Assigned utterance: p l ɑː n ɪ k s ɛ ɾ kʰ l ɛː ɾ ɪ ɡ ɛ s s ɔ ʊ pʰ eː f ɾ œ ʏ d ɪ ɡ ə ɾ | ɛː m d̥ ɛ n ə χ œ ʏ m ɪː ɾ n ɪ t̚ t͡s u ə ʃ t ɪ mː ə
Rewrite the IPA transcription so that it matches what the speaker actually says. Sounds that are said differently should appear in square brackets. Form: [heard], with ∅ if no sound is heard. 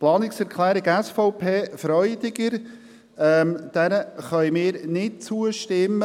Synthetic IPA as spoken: p l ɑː n ɪ k s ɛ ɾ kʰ l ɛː ɾ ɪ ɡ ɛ s [f] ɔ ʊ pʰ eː f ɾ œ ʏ d ɪ ɡ ə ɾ | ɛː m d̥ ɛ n ə χ œ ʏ m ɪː ɾ n ɪ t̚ t͡s u ə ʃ t ɪ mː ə